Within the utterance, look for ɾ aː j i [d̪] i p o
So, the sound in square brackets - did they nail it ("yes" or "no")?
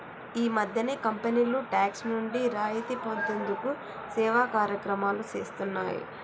no